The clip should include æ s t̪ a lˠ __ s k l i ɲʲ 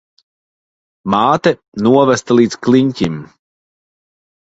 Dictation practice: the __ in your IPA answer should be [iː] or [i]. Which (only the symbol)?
iː